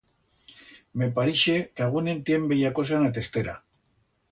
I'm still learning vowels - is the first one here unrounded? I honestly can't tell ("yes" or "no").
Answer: yes